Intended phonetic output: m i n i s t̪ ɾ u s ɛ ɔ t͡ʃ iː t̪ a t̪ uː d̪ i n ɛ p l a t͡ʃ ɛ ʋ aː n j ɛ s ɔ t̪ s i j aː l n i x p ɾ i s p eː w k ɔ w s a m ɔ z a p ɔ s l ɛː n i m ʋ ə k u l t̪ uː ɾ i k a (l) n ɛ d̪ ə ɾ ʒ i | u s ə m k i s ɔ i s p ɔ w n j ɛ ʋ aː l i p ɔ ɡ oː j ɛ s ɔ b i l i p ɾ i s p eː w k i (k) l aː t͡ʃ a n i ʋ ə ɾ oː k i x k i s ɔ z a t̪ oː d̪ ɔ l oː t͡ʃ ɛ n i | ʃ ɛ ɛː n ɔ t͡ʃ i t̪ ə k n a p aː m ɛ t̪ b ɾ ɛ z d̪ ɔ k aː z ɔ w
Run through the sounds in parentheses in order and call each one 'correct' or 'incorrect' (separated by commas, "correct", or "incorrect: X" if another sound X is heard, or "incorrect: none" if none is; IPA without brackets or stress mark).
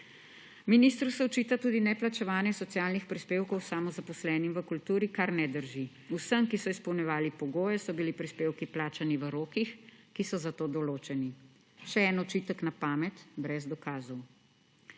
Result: incorrect: ɾ, incorrect: p